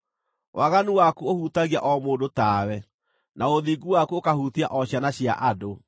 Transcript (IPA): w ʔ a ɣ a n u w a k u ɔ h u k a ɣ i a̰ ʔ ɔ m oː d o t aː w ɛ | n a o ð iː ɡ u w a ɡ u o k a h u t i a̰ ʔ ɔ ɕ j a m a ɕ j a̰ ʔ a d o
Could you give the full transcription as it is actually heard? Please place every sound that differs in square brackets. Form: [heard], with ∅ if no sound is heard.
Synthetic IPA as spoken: w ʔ a ɣ a n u w a k u [o] h u [t] a ɣ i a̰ ʔ ɔ m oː d o t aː w ɛ | n a o ð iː ɡ u w a [k] u o k a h u t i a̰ ʔ ɔ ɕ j a [n] a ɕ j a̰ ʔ a d o